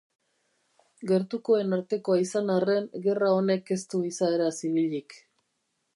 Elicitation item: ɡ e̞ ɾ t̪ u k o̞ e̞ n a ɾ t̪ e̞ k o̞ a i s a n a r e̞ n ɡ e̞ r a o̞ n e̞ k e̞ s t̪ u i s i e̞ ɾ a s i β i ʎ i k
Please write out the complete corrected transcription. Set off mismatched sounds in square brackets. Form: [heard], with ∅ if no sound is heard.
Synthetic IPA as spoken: ɡ e̞ ɾ t̪ u k o̞ e̞ n a ɾ t̪ e̞ k o̞ a i s a n a r e̞ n ɡ e̞ r a o̞ n e̞ k e̞ s t̪ u i s [a] e̞ ɾ a s i β i ʎ i k